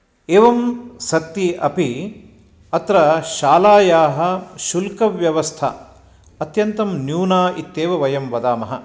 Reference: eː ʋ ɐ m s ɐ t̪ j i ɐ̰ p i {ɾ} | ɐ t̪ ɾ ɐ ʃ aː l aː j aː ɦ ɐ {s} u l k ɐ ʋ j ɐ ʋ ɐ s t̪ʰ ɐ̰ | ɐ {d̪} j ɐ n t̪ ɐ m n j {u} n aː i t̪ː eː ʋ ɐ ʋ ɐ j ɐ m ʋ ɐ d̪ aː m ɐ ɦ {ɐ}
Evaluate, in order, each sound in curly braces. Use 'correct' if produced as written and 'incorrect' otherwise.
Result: incorrect: none, incorrect: ʃ, incorrect: t̪, incorrect: uː, correct

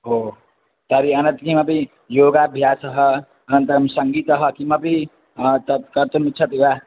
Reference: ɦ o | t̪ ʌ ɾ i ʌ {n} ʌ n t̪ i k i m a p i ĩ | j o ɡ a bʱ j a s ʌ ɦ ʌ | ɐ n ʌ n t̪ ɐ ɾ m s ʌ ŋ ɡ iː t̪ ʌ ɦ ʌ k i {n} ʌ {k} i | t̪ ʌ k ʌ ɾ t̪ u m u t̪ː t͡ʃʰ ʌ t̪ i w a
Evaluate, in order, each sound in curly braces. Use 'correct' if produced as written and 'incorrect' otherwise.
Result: correct, incorrect: m, incorrect: p

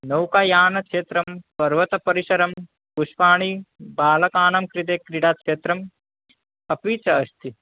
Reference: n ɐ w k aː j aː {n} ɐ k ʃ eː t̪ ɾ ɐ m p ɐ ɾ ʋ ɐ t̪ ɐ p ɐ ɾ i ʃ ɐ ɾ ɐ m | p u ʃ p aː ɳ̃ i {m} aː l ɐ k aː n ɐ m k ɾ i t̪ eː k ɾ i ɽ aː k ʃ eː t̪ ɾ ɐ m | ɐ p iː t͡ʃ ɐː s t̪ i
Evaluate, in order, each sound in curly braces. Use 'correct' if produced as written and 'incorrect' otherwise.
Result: correct, incorrect: b

